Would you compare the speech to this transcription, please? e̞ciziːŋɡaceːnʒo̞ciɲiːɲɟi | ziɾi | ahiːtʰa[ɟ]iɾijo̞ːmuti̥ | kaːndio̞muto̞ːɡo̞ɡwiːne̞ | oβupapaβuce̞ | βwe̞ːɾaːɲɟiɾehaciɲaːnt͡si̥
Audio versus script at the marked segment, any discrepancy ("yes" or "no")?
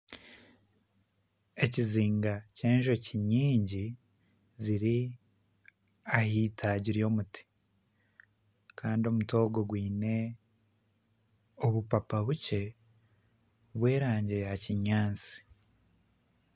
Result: no